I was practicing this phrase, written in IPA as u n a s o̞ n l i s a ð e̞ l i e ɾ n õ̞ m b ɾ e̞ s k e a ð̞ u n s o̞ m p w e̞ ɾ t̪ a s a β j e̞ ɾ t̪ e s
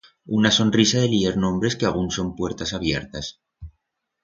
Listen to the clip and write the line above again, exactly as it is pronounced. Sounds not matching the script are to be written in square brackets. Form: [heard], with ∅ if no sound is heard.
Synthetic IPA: u n a s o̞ n [r] i s a ð e̞ l i e ɾ n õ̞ m b ɾ e̞ s k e a [ɣ̞] u n s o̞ m p w e̞ ɾ t̪ a s a β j e̞ ɾ t̪ [a] s